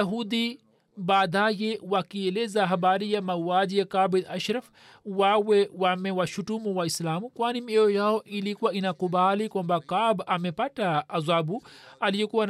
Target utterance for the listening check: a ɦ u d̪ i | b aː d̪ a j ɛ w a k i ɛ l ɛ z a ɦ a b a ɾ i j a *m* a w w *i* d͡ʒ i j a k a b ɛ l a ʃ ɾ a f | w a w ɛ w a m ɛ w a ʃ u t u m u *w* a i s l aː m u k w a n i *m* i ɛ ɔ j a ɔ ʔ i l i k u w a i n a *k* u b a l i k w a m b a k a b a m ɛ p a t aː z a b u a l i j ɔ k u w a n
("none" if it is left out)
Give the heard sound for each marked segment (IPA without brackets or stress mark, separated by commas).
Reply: m, a, w, m, k